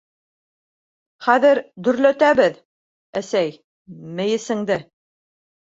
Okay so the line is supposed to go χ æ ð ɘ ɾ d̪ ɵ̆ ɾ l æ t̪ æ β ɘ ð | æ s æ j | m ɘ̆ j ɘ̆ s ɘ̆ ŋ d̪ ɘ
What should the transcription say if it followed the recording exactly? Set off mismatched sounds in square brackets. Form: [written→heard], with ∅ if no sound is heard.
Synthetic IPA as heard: χ æ ð ɘ ɾ d̪ ɵ̆ ɾ l æ t̪ æ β ɘ ð | æ s æ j | m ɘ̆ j ɘ̆ s ɘ̆ ŋ d̪ ɘ